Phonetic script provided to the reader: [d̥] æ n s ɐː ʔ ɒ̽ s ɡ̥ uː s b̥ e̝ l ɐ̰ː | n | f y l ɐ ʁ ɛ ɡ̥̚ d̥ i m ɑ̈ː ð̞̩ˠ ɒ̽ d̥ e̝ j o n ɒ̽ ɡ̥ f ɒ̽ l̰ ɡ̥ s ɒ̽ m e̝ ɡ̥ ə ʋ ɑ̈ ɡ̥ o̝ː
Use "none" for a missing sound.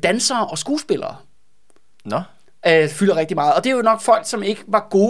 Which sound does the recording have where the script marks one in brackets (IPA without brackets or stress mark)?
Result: d̥